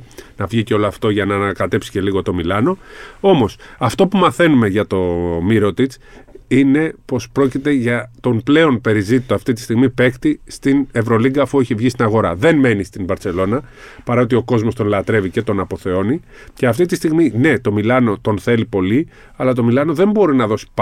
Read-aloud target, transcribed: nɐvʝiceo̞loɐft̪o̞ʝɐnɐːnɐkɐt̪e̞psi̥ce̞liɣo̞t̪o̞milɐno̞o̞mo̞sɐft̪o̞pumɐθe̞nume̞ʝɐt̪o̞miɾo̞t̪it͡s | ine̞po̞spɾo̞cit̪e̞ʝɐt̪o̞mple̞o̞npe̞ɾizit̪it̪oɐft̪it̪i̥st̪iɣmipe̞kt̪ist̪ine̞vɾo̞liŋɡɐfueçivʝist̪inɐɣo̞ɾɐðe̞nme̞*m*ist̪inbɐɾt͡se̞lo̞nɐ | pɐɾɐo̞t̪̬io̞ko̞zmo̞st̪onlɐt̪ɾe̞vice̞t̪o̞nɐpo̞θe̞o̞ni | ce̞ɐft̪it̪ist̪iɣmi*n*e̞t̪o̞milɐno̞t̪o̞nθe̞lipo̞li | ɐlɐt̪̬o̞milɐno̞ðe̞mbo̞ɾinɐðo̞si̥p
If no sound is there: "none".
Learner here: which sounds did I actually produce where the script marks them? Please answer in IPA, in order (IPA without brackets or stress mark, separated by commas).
n, n